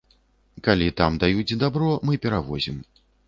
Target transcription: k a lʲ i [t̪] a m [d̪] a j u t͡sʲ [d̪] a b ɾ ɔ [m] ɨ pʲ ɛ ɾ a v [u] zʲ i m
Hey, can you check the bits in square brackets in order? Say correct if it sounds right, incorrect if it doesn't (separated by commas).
correct, correct, correct, correct, incorrect